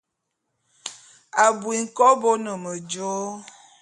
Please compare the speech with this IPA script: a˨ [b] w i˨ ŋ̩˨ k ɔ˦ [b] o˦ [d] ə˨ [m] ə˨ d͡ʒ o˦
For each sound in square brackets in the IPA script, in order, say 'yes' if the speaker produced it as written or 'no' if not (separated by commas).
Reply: yes, yes, no, yes